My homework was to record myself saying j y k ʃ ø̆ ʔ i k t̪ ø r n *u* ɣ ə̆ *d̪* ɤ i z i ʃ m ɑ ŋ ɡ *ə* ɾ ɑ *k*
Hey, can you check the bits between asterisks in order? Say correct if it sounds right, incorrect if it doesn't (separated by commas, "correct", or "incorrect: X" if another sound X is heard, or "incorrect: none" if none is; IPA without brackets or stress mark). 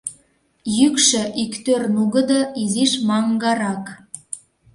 correct, correct, incorrect: ɑ, correct